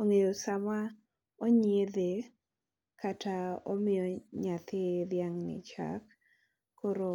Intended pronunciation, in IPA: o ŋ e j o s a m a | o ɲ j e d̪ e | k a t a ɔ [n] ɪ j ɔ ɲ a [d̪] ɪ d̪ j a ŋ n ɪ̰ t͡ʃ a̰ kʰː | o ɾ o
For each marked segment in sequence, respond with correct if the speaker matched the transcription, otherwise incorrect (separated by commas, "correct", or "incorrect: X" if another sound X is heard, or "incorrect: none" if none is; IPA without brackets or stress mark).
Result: incorrect: m, incorrect: t̪